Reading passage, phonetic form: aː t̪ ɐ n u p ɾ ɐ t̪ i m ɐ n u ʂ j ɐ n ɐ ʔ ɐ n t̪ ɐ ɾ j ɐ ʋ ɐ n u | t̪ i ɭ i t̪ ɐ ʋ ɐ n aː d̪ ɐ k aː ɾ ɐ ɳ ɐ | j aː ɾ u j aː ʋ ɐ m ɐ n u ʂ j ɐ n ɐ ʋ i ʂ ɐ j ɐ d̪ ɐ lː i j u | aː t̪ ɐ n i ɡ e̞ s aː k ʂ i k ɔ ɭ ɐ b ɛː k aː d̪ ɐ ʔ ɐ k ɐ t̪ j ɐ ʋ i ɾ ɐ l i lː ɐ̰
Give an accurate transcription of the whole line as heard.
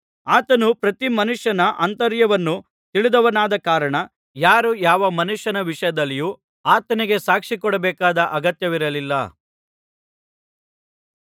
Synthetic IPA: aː t̪ ɐ n u p ɾ ɐ t̪ i m ɐ n u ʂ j ɐ n ɐ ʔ ɐ n t̪ ɐ ɾ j ɐ ʋ ɐ nː u | t̪ i ɭ i d̪ ɐ ʋ ɐ n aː d̪ ɐ k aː ɾ ɐ ɳ ɐ | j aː ɾ u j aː ʋ ɐ m ɐ n u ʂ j ɐ n ɐ ʋ i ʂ ɐ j ɐ d̪ ɐ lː i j u | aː t̪ ɐ n i ɡ e̞ s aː k ʂ i k ɔ ɽ ɐ b ɛː k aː d̪ ɐ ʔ ɐ ɡ ɐ t̪ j ɐ ʋ i ɾ ɐ l i lː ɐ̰